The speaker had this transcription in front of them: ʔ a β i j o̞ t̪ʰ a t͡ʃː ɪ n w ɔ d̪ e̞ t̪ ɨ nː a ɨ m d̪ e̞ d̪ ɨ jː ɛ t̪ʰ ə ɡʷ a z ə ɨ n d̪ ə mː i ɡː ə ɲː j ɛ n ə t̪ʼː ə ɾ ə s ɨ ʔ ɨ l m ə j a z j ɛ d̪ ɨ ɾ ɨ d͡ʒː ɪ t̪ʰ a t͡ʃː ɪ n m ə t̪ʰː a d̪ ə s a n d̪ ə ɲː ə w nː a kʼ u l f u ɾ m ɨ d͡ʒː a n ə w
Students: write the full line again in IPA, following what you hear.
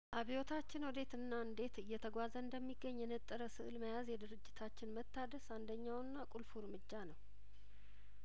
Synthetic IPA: ʔ a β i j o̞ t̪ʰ a t͡ʃː ɪ n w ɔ d̪ e̞ t̪ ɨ nː a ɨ n d̪ e̞ t̪ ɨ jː ɛ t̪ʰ ə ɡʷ a z ə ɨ n d̪ ə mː i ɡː ə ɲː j ɛ n ə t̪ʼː ə ɾ ə s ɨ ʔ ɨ l m ə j a z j ɛ d̪ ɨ ɾ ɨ d͡ʒː ɪ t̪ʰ a t͡ʃː ɪ n m ə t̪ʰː a d̪ ə s a n d̪ ə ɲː a w nː a kʼ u l f u ɾ m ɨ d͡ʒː a n ə w